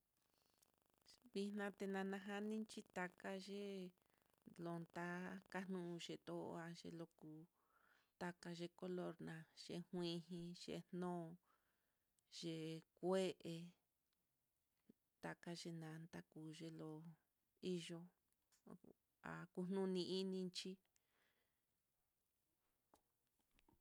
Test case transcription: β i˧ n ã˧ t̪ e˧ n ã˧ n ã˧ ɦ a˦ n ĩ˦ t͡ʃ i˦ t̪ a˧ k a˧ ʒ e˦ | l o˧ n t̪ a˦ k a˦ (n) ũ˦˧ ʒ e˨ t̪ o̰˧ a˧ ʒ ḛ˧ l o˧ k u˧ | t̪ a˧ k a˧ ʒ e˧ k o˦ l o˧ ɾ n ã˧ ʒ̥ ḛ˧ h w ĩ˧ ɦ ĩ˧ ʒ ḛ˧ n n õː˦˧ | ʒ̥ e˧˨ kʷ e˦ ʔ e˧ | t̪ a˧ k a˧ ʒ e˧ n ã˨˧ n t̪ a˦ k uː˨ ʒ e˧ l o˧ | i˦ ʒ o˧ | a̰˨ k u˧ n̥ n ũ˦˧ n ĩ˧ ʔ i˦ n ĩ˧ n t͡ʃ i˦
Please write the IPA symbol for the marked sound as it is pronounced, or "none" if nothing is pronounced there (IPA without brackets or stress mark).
n